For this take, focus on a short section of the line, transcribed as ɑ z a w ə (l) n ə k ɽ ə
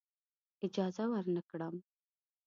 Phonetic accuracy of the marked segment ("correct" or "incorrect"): incorrect